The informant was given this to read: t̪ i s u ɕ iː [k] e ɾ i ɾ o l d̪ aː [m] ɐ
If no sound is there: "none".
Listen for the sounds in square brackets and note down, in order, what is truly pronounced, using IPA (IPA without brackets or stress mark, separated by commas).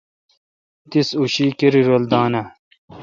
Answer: k, n